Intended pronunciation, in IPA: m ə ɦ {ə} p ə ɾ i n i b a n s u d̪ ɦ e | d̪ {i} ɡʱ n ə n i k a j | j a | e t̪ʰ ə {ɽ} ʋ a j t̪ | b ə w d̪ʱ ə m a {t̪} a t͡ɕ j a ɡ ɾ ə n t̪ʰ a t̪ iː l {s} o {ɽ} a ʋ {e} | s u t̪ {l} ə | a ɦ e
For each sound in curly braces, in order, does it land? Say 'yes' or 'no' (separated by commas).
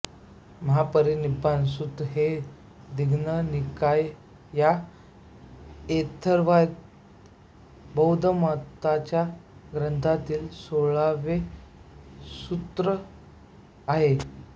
no, yes, no, yes, yes, no, yes, no